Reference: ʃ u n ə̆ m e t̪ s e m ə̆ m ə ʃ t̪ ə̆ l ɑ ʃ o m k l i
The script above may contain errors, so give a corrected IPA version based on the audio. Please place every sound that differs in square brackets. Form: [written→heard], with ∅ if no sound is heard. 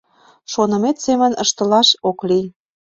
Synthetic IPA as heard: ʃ [u→o] n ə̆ m e t̪ s e m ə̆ [m→n] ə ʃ t̪ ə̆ l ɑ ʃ o [m→∅] k l i